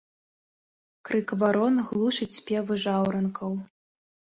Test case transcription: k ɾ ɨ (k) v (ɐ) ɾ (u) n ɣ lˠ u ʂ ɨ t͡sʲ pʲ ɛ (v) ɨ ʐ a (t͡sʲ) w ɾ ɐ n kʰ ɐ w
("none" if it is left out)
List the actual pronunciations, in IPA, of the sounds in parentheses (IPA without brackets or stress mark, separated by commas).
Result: k, a, ɔ, v, none